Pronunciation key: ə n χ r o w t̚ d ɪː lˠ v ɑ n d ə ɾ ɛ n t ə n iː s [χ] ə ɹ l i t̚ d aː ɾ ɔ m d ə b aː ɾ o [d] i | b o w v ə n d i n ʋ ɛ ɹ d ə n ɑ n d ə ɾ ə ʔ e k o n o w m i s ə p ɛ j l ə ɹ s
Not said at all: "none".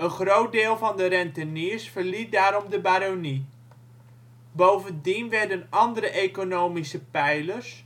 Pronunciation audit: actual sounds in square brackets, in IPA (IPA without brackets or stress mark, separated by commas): f, n